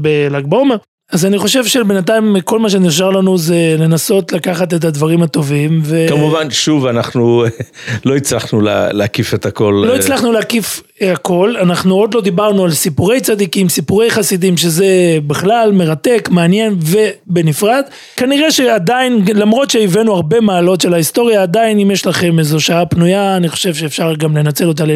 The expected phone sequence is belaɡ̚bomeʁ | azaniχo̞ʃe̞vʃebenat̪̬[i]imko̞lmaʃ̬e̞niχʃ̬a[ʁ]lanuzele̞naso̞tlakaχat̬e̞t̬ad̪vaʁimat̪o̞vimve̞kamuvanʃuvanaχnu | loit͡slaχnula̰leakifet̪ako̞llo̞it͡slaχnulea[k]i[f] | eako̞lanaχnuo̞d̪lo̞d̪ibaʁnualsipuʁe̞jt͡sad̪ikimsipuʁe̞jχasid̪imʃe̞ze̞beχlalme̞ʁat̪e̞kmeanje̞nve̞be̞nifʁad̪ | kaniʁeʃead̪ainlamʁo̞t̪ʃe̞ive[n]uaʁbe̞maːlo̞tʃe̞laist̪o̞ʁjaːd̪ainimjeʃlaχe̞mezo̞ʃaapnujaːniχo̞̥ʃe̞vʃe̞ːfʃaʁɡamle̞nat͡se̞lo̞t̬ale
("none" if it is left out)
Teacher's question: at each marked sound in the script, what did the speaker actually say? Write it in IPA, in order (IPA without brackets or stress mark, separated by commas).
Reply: a, ʁ, k, f, n